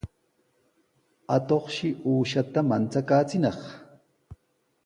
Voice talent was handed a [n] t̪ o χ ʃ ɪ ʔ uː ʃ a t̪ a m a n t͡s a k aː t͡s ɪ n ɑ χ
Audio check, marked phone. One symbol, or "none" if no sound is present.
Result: none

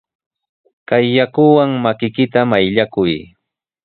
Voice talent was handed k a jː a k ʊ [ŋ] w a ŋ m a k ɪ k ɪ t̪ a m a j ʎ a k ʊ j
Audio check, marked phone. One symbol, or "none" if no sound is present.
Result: none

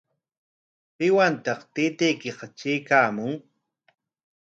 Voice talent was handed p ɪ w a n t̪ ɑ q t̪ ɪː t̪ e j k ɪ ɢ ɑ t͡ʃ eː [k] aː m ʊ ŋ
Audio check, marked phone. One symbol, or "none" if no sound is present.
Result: k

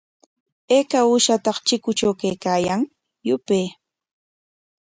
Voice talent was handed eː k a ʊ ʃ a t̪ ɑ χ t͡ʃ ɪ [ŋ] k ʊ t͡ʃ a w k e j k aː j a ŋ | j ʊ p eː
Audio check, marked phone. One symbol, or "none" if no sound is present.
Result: none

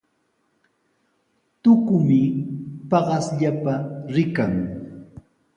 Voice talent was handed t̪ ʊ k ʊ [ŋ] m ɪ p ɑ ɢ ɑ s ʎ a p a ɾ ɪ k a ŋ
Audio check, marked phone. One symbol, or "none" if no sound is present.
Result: none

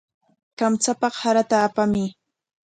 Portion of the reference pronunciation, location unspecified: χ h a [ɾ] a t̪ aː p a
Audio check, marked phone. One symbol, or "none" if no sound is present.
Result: ɾ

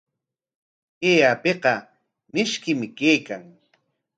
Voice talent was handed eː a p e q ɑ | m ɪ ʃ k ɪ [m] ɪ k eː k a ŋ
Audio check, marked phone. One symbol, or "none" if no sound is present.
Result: m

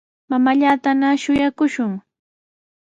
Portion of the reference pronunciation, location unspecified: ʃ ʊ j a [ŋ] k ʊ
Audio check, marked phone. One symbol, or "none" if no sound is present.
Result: none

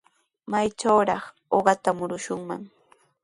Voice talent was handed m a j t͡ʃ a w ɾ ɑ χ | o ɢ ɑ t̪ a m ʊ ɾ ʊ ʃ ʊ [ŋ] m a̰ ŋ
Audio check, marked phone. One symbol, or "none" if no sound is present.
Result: ŋ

